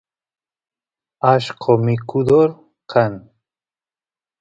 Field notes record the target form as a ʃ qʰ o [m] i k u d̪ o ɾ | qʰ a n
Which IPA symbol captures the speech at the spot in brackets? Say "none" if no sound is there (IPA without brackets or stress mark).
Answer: m